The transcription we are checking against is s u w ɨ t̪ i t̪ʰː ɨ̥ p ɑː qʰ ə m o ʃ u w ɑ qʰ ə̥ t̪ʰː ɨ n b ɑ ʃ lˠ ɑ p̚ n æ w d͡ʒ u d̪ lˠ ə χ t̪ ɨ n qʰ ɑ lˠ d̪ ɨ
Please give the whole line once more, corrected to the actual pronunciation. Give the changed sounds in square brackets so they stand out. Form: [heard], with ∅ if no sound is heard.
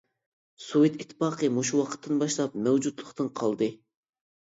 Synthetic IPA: s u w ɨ t̪ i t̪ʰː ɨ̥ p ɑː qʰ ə m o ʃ u w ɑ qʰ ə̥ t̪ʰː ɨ n b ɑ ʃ lˠ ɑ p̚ [m] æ w d͡ʒ u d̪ lˠ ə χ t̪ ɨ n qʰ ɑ lˠ d̪ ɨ